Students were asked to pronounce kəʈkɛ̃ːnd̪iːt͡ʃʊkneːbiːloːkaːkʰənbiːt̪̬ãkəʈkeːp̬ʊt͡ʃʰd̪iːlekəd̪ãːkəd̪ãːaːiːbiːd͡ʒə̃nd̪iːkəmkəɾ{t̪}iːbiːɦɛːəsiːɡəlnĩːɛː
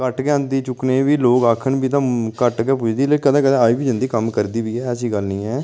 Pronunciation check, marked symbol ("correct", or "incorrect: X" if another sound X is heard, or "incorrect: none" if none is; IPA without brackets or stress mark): incorrect: d̪